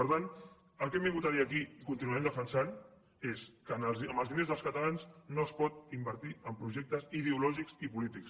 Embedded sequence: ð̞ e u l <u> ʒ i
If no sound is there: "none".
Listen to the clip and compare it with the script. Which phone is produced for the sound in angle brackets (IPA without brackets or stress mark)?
ɔ